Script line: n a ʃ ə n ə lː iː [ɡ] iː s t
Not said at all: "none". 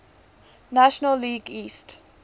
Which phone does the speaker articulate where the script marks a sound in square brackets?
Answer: ɡ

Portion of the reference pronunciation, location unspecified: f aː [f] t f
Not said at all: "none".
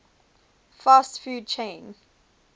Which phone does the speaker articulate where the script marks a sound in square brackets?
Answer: s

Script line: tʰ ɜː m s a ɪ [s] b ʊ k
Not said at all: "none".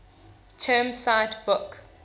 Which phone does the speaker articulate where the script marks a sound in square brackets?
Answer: t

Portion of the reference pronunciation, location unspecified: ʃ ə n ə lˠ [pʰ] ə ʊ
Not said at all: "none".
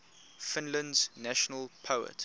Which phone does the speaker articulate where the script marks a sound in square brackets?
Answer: pʰ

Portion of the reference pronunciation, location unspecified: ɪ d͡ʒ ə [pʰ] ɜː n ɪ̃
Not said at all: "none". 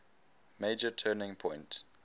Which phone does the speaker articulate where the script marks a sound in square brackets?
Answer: tʰ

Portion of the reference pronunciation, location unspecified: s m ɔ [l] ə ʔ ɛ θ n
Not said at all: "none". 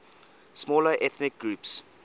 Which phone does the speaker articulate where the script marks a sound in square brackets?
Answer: l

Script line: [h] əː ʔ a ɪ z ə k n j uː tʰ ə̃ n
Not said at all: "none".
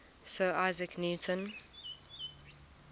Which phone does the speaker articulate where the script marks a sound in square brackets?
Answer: s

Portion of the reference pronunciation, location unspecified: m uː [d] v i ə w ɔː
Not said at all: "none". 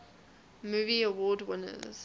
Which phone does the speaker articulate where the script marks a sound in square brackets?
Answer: none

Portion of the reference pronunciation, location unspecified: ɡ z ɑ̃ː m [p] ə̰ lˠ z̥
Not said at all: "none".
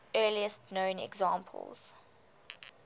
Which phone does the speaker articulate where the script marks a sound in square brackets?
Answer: pʰ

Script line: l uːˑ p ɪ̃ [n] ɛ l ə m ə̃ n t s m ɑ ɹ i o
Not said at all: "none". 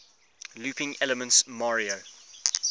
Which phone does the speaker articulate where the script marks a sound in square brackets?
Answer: ŋ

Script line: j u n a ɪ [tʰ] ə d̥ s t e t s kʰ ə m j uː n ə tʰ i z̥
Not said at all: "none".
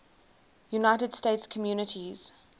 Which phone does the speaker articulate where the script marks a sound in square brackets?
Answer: t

